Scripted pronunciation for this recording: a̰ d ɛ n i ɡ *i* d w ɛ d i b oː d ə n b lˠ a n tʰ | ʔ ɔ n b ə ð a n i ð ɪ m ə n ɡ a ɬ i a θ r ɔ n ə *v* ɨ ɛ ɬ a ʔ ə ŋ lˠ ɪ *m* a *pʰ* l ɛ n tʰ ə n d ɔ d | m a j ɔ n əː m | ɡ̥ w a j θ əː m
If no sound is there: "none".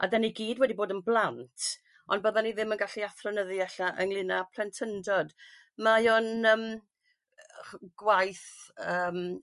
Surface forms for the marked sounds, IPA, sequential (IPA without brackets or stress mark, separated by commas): iː, ð, n, pʰ